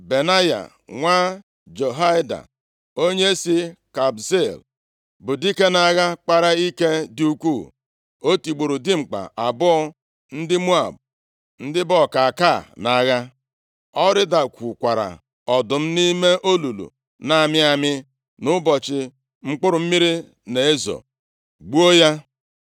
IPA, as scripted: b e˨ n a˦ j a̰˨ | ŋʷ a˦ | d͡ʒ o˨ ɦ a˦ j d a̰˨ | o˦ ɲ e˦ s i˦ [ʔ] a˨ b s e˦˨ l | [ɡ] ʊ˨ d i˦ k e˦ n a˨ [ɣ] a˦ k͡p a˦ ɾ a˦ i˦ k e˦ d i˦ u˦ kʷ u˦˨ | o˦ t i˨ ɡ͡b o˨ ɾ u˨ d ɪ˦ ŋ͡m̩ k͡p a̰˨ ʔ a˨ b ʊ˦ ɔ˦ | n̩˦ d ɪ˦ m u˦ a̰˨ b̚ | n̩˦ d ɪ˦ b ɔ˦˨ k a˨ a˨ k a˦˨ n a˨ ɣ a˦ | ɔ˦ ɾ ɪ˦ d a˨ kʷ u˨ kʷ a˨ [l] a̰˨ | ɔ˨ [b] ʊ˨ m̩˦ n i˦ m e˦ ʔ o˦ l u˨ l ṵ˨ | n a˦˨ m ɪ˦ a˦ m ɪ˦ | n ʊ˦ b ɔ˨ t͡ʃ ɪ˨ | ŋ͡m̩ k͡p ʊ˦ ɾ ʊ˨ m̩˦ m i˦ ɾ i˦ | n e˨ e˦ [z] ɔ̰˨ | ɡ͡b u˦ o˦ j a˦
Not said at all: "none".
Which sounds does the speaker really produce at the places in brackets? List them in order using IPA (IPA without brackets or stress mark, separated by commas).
k, b, ɣ, ɾ, d, z